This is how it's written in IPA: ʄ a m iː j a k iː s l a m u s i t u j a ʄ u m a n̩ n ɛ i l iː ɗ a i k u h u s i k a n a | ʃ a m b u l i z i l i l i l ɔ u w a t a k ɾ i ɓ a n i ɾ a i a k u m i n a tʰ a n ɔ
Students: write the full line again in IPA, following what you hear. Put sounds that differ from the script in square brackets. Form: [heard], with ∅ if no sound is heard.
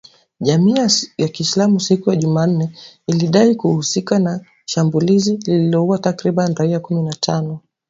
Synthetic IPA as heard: ʄ a m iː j a k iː s l a m u s i [k] u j a ʄ u m a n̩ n ɛ i l [i] ɗ a i k u h u s i k a n a | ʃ a m b u l i z i l i l i l ɔ u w a t a k ɾ i ɓ a n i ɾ a i a k u m i n a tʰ a n ɔ